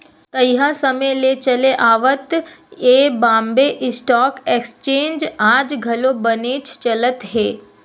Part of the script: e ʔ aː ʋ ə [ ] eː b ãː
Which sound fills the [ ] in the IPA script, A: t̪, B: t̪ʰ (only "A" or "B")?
A